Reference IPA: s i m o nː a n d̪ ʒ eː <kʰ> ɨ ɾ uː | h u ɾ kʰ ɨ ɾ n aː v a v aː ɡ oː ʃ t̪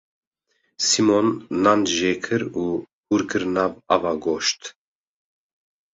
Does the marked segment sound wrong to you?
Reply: no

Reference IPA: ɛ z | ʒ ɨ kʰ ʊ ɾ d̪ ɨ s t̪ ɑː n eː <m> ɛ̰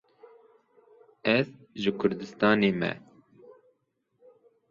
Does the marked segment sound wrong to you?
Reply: no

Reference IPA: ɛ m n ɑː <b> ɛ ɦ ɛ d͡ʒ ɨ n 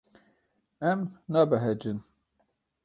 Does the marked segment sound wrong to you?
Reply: no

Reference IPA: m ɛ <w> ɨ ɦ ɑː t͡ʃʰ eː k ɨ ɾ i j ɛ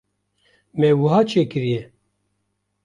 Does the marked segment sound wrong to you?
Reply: no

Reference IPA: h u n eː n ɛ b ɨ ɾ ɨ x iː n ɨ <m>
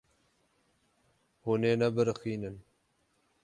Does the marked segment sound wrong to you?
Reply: yes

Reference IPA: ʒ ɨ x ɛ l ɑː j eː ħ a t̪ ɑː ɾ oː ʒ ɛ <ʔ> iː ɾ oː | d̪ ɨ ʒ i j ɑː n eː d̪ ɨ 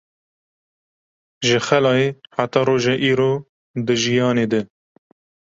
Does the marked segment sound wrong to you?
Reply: no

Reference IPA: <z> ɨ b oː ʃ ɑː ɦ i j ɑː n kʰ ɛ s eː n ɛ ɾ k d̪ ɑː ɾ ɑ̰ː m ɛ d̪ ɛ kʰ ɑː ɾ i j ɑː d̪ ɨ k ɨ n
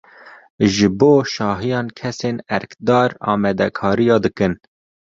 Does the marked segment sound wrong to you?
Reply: yes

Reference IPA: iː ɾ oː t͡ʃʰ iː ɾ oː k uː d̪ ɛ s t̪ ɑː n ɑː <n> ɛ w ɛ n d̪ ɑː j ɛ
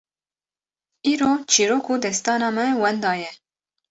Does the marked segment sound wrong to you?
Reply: yes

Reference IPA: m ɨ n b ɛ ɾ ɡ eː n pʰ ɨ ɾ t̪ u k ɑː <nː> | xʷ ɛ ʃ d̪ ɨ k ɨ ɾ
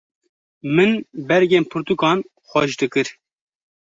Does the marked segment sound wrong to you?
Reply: yes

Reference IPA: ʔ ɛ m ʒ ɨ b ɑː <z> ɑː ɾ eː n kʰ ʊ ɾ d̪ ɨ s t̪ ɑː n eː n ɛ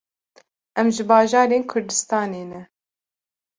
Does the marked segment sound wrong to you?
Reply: yes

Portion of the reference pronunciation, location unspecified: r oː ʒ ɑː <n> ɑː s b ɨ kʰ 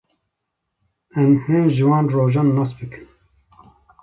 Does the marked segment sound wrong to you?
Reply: yes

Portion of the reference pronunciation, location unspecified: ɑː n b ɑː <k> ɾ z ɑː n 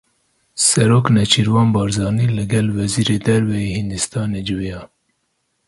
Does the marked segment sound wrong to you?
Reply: yes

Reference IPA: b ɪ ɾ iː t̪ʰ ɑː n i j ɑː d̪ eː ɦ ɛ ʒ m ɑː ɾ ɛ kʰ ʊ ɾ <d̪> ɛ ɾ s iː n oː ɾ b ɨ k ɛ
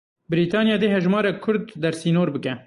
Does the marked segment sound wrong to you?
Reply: yes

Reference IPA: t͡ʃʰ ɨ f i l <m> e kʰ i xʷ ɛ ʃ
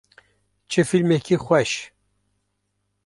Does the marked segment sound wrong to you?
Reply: no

